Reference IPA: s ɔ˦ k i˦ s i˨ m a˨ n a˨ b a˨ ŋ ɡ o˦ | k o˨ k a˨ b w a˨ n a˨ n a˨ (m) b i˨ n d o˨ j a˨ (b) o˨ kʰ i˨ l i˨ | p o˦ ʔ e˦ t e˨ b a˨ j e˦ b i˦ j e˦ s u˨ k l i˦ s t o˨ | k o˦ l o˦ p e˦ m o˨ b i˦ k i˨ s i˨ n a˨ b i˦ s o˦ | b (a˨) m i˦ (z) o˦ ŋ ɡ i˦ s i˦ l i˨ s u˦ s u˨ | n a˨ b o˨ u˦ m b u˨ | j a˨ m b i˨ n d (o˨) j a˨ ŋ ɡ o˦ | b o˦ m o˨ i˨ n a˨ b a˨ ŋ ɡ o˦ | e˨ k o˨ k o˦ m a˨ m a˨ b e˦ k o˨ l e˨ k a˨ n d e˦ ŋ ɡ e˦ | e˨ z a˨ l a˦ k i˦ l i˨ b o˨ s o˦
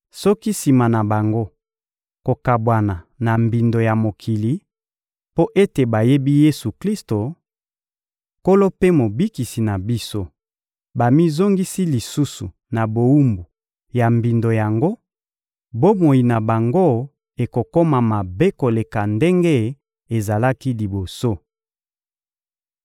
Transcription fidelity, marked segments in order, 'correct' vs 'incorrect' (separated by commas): correct, incorrect, correct, correct, correct